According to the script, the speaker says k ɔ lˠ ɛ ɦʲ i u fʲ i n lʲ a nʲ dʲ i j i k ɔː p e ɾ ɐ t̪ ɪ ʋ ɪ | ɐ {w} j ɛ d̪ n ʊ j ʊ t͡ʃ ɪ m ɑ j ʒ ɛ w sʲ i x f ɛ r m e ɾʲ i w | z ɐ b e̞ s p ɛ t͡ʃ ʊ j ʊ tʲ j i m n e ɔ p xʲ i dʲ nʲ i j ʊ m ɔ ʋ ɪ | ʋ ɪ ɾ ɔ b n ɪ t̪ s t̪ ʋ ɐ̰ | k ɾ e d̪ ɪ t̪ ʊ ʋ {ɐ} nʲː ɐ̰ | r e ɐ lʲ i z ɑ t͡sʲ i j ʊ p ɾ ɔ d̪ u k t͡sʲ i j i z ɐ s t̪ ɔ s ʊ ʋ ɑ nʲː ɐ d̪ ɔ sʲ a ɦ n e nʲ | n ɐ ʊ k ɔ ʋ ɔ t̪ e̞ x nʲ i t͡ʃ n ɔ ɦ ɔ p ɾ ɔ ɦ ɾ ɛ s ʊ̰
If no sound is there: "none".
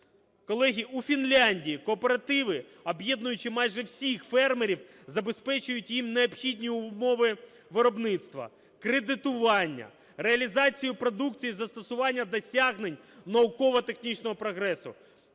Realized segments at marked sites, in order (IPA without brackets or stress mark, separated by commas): b, ɑ